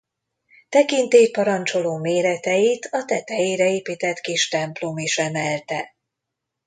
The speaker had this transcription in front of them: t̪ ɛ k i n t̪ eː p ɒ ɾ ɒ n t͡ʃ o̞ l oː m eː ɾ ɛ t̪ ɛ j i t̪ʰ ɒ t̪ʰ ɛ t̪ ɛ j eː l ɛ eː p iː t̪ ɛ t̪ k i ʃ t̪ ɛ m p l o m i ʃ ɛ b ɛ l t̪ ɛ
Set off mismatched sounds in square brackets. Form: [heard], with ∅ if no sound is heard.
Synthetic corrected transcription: t̪ ɛ k i n t̪ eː p ɒ ɾ ɒ n t͡ʃ o̞ l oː m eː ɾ ɛ t̪ ɛ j i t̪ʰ ɒ [t̪] ɛ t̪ ɛ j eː [ɾ] ɛ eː p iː t̪ ɛ t̪ k i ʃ t̪ ɛ m p l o m i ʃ ɛ [m] ɛ l t̪ ɛ

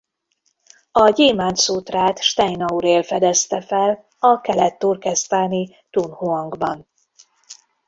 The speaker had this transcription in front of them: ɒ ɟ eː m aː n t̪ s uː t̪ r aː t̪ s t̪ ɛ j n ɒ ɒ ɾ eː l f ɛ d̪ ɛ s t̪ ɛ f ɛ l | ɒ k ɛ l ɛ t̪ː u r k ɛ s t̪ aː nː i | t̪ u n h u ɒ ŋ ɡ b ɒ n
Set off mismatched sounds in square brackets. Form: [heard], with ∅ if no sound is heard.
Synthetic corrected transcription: ɒ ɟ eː m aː n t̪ s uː t̪ r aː t̪ [ʃ] t̪ ɛ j n ɒ [u] ɾ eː l f ɛ d̪ ɛ s t̪ ɛ f ɛ l | ɒ k ɛ l ɛ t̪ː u r k ɛ s t̪ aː [n] i | t̪ u n h u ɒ ŋ ɡ b ɒ n

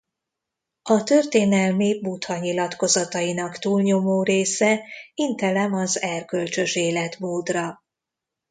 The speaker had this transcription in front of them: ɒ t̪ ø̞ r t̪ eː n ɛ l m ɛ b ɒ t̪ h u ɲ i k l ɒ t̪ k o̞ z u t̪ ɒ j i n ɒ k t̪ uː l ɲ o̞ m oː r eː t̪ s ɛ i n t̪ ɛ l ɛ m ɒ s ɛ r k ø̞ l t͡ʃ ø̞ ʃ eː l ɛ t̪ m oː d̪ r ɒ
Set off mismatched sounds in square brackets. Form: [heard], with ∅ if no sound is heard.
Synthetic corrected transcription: ɒ t̪ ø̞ r t̪ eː n ɛ l m [i] b [u] t̪ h [ɒ] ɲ i [∅] l ɒ t̪ k o̞ z [ɒ] t̪ ɒ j i n ɒ k t̪ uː l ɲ o̞ m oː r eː [∅] s ɛ i n t̪ ɛ l ɛ m ɒ [z] ɛ r k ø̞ l t͡ʃ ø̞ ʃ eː l ɛ t̪ m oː d̪ r ɒ

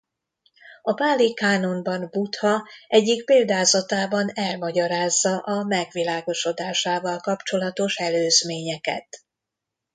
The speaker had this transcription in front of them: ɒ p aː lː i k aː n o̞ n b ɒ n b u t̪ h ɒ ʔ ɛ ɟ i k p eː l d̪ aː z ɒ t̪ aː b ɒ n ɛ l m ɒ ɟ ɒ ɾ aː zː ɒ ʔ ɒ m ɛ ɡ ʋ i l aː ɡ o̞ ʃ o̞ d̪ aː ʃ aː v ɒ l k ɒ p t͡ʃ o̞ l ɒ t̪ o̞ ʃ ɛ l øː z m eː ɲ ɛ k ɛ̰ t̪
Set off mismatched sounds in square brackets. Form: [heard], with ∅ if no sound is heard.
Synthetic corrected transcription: ɒ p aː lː i k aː n o̞ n b ɒ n b u t̪ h ɒ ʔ ɛ [ɟː] i k p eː l d̪ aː z ɒ t̪ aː b ɒ n ɛ l m ɒ ɟ ɒ ɾ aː zː ɒ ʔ ɒ m ɛ ɡ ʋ i l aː ɡ o̞ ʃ o̞ d̪ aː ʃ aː v ɒ l k ɒ p t͡ʃ o̞ l ɒ t̪ o̞ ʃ ɛ l øː z m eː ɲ ɛ k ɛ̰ t̪

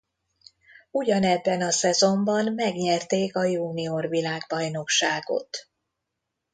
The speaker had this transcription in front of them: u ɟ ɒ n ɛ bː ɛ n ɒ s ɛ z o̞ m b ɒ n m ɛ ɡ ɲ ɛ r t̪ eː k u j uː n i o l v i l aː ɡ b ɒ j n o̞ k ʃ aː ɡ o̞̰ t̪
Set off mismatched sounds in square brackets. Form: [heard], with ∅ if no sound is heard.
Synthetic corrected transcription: u ɟ ɒ n ɛ bː ɛ n ɒ s ɛ z o̞ m b ɒ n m ɛ ɡ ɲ ɛ r t̪ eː k [ɒ] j uː n i o [r] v i l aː ɡ b ɒ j n o̞ k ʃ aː ɡ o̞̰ t̪

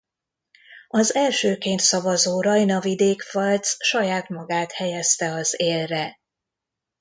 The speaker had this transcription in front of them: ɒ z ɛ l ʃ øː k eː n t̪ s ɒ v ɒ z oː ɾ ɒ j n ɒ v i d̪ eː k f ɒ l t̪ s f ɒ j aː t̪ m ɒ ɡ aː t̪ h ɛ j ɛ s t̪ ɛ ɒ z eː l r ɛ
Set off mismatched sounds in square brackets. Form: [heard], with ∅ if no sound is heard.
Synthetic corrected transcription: ɒ z ɛ l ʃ øː k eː n t̪ s ɒ v ɒ z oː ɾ ɒ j n ɒ v i d̪ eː k f ɒ l t̪ s [ʃ] ɒ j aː t̪ m ɒ ɡ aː t̪ h ɛ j ɛ s t̪ ɛ ɒ z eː l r ɛ

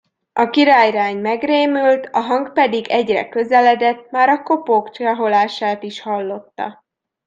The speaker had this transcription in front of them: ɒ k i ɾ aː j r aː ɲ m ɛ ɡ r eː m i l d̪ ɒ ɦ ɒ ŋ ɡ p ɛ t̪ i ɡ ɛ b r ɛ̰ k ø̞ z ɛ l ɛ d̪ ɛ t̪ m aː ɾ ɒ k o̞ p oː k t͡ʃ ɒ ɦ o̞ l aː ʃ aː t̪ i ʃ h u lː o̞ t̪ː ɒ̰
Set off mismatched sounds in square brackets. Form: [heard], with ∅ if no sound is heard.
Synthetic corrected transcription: ɒ k i ɾ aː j r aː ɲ m ɛ ɡ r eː m [y] l [t̪] ɒ ɦ ɒ ŋ ɡ p ɛ [d̪] i ɡ ɛ [ɟ] r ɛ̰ k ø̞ z ɛ l ɛ d̪ ɛ t̪ m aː ɾ ɒ k o̞ p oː k t͡ʃ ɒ ɦ o̞ l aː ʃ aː t̪ i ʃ h [ɒ] lː o̞ t̪ː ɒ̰

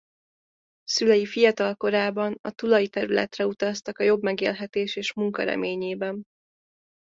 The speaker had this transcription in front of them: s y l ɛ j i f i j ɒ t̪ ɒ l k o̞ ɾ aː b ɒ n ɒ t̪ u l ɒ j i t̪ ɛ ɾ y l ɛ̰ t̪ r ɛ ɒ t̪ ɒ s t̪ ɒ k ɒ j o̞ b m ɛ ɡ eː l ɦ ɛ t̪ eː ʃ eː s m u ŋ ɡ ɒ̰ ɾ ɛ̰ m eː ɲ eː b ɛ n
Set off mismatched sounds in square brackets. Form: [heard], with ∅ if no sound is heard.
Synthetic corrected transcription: s y l ɛ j i f i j ɒ t̪ ɒ l k o̞ ɾ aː b ɒ n ɒ t̪ u l ɒ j i t̪ ɛ ɾ y l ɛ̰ t̪ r ɛ [u] t̪ ɒ s t̪ ɒ k ɒ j o̞ b m ɛ ɡ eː l ɦ ɛ t̪ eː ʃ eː [ʃ] m u ŋ [k] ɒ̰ ɾ ɛ̰ m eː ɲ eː b ɛ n

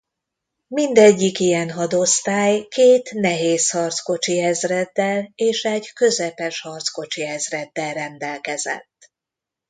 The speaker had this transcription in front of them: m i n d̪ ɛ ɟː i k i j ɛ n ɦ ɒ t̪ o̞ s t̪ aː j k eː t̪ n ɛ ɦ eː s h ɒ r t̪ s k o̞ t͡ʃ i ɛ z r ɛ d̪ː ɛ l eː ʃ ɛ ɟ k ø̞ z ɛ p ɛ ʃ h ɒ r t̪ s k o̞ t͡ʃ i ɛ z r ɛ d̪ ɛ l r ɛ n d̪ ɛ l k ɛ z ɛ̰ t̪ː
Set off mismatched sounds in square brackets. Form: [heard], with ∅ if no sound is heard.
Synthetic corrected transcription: m i n d̪ ɛ ɟː i k i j ɛ n ɦ ɒ [d̪] o̞ s t̪ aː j k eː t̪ n ɛ ɦ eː s h ɒ r t̪ s k o̞ t͡ʃ i ɛ z r ɛ d̪ː ɛ l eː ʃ ɛ ɟ k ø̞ z ɛ p ɛ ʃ h ɒ r t̪ s k o̞ t͡ʃ i ɛ z r ɛ [d̪ː] ɛ l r ɛ n d̪ ɛ l k ɛ z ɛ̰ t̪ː

